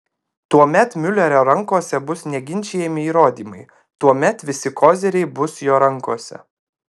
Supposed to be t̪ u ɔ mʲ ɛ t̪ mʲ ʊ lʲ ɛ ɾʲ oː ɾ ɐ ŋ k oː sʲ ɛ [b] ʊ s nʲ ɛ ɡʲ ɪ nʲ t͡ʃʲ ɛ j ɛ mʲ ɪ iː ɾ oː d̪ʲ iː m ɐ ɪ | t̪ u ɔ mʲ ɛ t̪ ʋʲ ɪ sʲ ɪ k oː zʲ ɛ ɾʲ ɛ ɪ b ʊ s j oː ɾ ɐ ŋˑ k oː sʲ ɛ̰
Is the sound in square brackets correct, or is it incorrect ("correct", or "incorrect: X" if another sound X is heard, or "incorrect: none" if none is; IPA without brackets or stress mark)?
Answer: correct